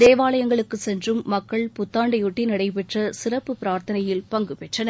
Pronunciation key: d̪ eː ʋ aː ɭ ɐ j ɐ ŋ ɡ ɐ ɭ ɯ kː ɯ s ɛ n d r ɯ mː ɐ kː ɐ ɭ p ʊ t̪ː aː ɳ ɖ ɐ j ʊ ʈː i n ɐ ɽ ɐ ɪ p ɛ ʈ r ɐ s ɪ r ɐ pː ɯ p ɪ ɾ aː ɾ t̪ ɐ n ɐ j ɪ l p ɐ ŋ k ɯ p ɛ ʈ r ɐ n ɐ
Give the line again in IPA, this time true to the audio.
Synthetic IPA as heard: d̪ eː ʋ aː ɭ ɐ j ɐ ŋ ɡ ɐ ɭ ɯ kː ɯ s ɛ n d r ɯ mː ɐ kː ɐ ɭ p ʊ t̪ː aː ɳ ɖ ɐ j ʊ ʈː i n ɐ ɽ ɐ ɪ p ɛ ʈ r ɐ s ɪ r ɐ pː ɯ p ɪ ɾ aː ɾ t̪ ɐ n ɐ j ɪ l p ɐ ŋ ɡ ɯ p ɛ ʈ r ɐ n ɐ